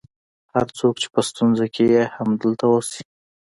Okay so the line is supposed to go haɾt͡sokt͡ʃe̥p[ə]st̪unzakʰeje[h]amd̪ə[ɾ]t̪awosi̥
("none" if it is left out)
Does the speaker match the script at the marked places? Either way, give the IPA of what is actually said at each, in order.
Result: ə, h, l

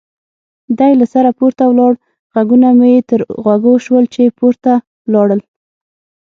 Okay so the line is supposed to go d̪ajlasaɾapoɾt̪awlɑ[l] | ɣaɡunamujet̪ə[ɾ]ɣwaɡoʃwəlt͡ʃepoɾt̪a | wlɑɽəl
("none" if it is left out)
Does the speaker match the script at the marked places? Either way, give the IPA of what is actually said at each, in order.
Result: ɽ, ɾ

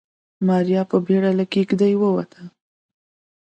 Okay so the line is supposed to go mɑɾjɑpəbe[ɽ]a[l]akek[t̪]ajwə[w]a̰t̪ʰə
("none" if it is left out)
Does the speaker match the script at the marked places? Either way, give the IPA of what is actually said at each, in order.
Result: ɽ, l, d̪, w

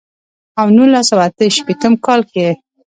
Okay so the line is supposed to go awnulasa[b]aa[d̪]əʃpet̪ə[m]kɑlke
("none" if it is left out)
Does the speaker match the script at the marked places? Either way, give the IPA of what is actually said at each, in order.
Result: w, t̪, m

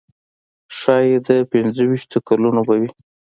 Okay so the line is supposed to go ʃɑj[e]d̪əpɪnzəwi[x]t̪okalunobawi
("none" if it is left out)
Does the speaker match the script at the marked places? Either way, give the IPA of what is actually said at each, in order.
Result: e, ʃ

